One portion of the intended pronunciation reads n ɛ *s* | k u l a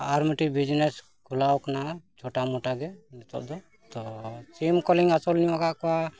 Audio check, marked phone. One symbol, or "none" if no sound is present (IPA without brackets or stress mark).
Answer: s